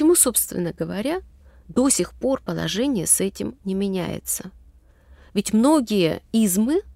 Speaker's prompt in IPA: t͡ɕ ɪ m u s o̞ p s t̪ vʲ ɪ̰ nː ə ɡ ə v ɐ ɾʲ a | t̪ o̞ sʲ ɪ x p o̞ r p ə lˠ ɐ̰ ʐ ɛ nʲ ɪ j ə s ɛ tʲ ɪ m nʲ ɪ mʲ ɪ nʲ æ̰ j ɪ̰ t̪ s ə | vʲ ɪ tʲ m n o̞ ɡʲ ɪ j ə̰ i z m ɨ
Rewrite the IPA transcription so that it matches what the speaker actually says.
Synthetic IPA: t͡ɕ ɪ m u s o̞ p s t̪ vʲ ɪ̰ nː ə ɡ ə v ɐ ɾʲ a | d̪ o̞ sʲ ɪ x p o̞ r p ə lˠ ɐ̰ ʐ ɛ nʲ ɪ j ə s ɛ tʲ ɪ m nʲ ɪ mʲ ɪ nʲ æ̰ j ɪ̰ t̪ s ə | vʲ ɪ tʲ m n o̞ ɡʲ ɪ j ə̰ i z m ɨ